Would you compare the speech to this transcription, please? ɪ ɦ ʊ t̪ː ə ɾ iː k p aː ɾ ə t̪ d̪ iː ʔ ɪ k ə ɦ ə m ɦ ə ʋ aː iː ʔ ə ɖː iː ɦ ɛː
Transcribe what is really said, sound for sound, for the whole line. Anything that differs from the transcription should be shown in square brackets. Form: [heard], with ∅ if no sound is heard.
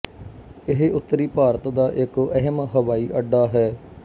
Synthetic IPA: ɪ ɦ ʊ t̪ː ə ɾ iː [∅] p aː ɾ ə t̪ d̪ [aː] ʔ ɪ k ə ɦ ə m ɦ ə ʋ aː iː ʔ ə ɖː [aː] ɦ ɛː